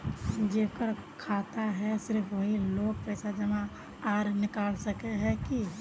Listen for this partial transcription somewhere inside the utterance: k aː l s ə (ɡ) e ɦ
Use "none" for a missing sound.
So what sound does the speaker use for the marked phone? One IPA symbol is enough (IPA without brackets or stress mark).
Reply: k